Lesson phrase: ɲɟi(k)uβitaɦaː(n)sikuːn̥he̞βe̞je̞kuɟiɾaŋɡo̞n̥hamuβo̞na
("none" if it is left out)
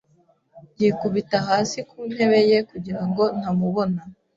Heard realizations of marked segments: k, none

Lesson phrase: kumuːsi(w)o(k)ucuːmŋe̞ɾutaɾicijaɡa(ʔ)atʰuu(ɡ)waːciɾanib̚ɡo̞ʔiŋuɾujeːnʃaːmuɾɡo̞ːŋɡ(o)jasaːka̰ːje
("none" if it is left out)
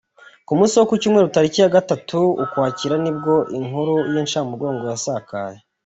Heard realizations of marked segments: w, k, t, k, o

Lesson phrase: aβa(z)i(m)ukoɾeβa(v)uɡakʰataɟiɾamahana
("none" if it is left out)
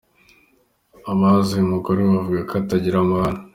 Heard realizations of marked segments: z, m, v

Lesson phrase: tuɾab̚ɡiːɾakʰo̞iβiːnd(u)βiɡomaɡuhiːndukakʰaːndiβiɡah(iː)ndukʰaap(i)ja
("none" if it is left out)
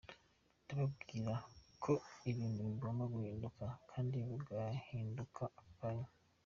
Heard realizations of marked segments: u, iː, a

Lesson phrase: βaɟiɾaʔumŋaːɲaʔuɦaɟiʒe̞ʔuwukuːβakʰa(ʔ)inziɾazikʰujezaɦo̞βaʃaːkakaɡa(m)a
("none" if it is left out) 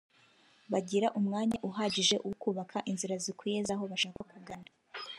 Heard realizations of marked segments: ʔ, n

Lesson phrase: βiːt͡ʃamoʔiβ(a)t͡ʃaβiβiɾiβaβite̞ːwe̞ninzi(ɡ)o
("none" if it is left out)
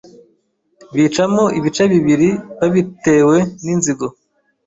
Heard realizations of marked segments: i, ɡ

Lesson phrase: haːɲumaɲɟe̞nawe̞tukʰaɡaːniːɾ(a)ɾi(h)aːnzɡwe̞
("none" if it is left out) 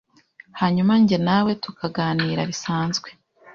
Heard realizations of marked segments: a, s

